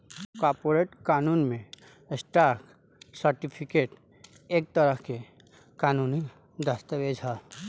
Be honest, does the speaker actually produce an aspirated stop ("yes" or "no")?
yes